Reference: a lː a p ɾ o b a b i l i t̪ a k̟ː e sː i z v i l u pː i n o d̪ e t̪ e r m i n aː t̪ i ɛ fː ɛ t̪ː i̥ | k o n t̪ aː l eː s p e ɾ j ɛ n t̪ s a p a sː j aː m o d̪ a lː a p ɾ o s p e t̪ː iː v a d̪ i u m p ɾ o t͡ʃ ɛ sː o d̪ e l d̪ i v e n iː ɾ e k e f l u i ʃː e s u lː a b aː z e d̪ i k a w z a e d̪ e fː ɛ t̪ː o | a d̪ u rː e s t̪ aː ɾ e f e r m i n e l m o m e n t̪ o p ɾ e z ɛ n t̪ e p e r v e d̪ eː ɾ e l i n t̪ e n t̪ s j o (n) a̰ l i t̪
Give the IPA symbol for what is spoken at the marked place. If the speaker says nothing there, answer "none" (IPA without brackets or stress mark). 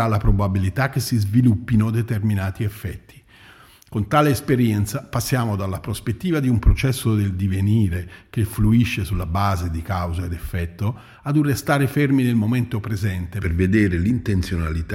n